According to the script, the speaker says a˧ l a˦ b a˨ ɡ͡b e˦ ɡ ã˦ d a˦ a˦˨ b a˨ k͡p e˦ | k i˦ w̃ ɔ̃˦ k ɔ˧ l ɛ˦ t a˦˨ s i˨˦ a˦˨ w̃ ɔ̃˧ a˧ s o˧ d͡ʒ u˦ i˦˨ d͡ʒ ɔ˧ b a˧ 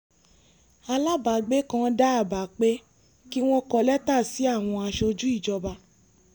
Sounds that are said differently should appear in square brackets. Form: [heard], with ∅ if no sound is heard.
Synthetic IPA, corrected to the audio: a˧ l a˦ b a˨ ɡ͡b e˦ [k] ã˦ d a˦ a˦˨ b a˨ k͡p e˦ | k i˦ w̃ ɔ̃˦ k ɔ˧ l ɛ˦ t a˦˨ s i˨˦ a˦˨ w̃ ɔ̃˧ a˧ [ʃ] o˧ d͡ʒ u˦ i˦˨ d͡ʒ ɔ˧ b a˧